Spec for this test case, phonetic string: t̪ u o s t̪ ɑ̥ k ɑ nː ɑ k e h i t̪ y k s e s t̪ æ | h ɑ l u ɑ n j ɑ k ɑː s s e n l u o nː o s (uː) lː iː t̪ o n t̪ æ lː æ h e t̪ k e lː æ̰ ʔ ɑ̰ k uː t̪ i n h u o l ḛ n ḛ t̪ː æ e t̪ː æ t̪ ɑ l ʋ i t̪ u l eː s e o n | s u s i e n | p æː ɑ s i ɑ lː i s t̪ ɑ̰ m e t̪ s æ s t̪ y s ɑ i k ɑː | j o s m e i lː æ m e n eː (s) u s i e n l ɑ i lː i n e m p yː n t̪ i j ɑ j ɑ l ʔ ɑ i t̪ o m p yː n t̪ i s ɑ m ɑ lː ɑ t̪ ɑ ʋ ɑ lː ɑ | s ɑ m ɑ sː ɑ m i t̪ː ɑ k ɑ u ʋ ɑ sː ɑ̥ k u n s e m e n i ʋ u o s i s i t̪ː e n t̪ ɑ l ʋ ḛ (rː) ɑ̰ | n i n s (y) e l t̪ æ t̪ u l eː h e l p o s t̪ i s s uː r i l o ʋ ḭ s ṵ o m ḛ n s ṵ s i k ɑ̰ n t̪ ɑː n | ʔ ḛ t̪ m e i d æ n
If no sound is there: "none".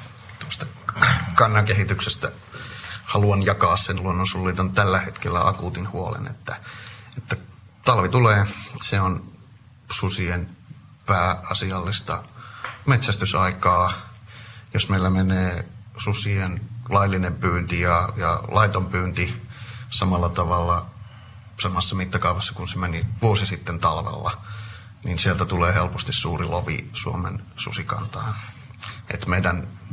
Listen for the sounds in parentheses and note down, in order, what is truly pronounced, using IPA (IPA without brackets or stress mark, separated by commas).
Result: u, s, lː, i